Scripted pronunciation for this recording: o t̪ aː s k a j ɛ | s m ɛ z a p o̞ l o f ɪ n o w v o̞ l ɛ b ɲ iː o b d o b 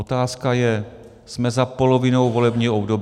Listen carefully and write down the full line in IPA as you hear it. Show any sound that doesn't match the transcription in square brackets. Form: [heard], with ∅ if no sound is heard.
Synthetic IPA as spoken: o t̪ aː s k a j ɛ | s m ɛ z a p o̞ l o [v] ɪ n o w v o̞ l ɛ b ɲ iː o b d o b